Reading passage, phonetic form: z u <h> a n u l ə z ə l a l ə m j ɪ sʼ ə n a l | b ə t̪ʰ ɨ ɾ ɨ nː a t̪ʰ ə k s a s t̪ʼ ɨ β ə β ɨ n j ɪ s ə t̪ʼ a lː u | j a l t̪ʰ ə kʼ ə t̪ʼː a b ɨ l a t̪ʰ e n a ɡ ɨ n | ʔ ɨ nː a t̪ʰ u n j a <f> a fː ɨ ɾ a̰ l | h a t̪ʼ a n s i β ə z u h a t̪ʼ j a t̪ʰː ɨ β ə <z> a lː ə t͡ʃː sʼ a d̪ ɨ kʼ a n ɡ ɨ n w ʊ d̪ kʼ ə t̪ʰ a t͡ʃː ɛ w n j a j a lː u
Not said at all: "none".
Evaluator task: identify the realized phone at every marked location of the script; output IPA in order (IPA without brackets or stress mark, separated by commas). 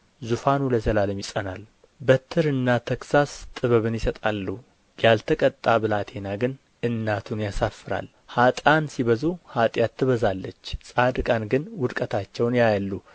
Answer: f, s, z